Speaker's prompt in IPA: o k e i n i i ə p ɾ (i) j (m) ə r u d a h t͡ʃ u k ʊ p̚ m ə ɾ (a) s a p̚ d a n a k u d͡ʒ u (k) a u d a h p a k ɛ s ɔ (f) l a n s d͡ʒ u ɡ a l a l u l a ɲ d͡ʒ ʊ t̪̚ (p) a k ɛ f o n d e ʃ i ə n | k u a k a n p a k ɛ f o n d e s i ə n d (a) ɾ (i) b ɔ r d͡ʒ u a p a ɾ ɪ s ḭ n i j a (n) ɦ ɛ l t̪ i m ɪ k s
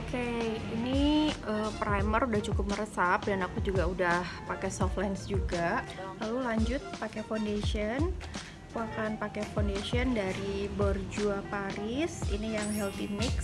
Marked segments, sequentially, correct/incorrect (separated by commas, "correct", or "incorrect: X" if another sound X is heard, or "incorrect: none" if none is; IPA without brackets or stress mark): incorrect: a, correct, incorrect: ə, incorrect: ɡ, correct, correct, correct, correct, incorrect: ŋ